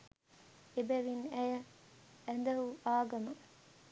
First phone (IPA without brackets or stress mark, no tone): e